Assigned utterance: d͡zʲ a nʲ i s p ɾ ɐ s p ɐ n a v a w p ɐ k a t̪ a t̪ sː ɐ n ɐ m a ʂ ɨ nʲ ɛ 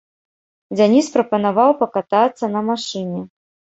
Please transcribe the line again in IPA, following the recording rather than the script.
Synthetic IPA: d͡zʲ a nʲ i s p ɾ ɐ p ɐ n a v a w p ɐ k a t̪ a t̪ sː ɐ n ɐ m a ʂ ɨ nʲ ɛ